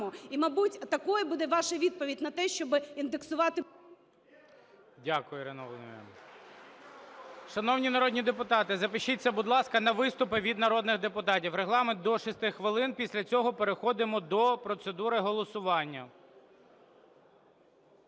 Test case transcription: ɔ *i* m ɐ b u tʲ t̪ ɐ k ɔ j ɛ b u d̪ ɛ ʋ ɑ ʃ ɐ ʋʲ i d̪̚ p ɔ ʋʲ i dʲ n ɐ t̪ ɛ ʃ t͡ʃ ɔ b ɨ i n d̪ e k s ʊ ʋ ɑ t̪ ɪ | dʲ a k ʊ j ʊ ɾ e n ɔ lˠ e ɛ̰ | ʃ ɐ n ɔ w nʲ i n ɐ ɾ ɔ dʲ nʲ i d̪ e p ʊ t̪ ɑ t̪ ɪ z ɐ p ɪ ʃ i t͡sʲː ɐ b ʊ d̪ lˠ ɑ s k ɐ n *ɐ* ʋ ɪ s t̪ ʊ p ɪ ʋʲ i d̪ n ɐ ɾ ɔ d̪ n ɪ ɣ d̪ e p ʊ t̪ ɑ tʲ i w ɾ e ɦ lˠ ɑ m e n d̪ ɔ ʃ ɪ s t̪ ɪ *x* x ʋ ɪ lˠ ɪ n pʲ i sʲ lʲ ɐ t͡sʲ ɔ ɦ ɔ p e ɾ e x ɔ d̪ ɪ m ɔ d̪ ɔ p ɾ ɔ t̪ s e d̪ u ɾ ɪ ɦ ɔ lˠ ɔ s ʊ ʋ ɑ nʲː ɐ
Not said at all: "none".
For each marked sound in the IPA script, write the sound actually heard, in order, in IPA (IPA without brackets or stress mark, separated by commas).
i, ɐ, x